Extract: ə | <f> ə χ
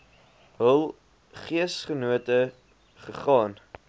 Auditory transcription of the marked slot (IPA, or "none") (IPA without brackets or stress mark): χ